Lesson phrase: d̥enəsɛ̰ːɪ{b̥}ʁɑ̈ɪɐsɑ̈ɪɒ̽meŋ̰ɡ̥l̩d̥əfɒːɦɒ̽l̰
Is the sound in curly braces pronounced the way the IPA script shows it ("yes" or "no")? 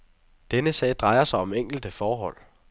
no